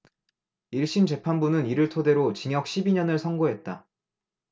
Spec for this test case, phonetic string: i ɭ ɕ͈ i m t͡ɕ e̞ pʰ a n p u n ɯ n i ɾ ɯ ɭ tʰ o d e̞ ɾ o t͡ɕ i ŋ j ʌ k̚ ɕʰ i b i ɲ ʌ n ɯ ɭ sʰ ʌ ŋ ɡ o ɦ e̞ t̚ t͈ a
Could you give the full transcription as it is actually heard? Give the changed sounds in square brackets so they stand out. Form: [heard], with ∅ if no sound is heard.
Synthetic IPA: i ɭ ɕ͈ i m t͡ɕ e̞ pʰ a n [b] u n ɯ n i ɾ ɯ ɭ tʰ o d e̞ ɾ o t͡ɕ i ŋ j ʌ k̚ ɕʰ i b i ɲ ʌ n ɯ ɭ sʰ ʌ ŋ ɡ o ɦ e̞ t̚ t͈ a